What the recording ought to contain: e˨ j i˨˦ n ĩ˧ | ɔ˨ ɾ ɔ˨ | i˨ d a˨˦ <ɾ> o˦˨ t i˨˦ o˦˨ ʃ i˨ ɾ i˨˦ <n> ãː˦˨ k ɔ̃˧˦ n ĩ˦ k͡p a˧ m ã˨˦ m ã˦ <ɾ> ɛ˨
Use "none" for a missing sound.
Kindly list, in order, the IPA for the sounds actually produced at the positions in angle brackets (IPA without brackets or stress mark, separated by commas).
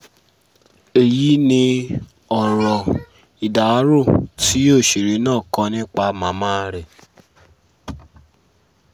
ɾ, n, ɾ